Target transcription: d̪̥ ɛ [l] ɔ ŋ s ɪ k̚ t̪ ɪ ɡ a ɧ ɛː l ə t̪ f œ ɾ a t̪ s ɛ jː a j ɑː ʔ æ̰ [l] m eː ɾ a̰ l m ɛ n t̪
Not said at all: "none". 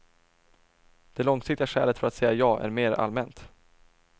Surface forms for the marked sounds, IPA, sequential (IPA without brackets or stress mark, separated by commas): l, ɾ